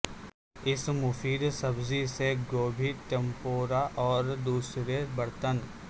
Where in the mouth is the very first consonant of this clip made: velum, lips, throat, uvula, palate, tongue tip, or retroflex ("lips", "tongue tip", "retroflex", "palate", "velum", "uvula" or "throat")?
tongue tip